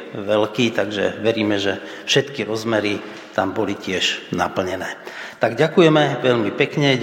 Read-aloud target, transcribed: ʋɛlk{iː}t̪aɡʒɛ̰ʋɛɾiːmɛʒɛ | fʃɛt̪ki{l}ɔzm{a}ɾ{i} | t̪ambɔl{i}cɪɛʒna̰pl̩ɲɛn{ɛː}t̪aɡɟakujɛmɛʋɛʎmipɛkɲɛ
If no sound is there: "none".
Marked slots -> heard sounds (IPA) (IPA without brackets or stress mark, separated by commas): iː, ɾ, ɛ, i, i, ɛː